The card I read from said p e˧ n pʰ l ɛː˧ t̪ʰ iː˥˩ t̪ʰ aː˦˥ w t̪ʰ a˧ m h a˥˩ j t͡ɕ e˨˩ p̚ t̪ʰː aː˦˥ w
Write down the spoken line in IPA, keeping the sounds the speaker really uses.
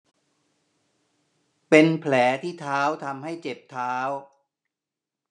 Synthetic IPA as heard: p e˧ n pʰ l ɛː˩˦ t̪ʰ iː˥˩ t̪ʰ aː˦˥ w t̪ʰ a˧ m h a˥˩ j t͡ɕ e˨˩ p̚ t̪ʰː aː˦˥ w